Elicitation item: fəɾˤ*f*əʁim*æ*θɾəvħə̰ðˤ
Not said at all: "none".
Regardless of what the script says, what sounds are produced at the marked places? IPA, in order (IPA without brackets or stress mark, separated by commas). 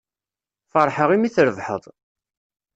ħ, i